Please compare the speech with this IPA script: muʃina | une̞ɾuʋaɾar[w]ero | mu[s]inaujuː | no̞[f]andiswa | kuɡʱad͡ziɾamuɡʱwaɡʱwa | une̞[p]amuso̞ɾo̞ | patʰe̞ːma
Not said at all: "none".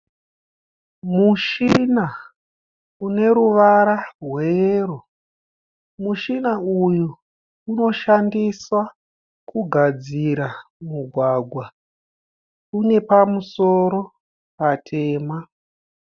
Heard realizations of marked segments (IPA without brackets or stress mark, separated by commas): w, ʃ, ʃ, p